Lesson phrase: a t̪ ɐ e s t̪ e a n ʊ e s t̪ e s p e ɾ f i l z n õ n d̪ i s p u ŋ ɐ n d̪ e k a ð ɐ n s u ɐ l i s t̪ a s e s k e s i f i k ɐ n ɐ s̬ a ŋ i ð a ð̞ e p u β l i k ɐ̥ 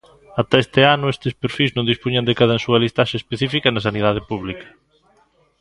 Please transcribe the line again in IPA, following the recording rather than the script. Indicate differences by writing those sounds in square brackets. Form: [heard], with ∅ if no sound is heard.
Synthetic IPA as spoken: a t̪ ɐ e s t̪ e a n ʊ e s t̪ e s p e ɾ f i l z n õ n d̪ i s p u [ɲ] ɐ n d̪ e k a ð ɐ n s u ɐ l i s t̪ a [ʃ] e s [p] e [θ] i f i k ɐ n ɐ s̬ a [n] i ð a ð̞ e p u β l i k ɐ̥